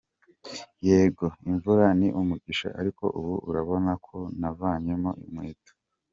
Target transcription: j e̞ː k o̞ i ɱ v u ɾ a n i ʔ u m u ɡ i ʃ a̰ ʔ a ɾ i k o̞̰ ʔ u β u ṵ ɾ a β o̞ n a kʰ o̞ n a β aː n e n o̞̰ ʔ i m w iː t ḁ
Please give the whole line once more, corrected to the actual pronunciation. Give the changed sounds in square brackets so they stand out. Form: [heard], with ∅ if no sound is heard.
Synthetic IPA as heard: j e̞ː [ɡ] o̞ i ɱ v u ɾ a n i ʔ u m u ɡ i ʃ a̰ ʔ a ɾ i k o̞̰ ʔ u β u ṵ ɾ a β o̞ n a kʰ o̞ n a [v] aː [ɲ] e [m] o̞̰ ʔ i m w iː t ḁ